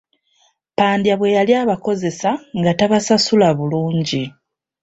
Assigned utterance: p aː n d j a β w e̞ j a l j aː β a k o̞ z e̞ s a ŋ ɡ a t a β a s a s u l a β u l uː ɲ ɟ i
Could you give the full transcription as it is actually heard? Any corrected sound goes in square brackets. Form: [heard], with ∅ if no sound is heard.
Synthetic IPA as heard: p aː n d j a β w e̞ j a l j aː β a k o̞ z e̞ s a ŋ ɡ a t a β a s a s u l a β u l uː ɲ ɟ i

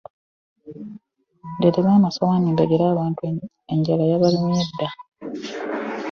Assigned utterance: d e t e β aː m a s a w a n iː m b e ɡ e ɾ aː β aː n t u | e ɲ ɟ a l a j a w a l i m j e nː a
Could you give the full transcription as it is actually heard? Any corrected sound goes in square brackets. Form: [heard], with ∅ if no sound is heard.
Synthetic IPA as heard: d e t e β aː m a s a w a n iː m b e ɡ e ɾ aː β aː n t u | e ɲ ɟ a l a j a [β] a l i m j e [dː] a

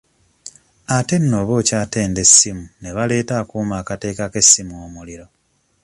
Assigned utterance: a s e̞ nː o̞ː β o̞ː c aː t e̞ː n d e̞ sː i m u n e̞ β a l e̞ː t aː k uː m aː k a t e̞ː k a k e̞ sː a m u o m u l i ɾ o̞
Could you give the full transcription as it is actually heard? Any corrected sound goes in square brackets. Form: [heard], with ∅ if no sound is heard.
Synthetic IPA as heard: a [t] e̞ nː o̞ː β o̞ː c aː t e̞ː n d e̞ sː i m u n e̞ β a l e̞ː t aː k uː m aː k a t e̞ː k a k e̞ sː [i] m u o m u l i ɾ o̞

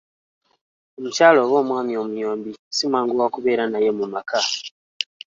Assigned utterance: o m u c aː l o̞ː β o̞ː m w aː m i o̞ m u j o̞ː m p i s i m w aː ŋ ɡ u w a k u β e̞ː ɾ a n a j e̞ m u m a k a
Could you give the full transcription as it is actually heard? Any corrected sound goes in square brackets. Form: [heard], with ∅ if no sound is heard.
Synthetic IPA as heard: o m u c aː l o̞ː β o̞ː m w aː m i o̞ m u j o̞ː m [b] i s i m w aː ŋ ɡ u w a k u β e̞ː ɾ a n a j e̞ m u m a k a

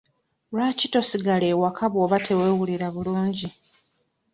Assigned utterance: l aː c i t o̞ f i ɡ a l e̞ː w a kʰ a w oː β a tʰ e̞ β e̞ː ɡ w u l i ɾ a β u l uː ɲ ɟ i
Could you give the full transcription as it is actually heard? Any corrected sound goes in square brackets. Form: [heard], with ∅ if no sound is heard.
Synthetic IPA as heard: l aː c i t o̞ [s] i ɡ a l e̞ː w a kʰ a [β] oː β a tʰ e̞ [w] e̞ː [∅] w u l i ɾ a β u l uː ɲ ɟ i

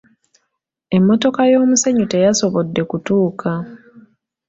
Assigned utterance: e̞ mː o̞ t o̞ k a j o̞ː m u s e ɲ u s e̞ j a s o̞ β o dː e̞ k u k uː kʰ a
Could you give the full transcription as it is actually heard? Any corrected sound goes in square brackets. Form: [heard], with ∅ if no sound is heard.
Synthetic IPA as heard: e̞ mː o̞ t o̞ k a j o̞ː m u s e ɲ u [t] e̞ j a s o̞ β o dː e̞ k u [t] uː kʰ a

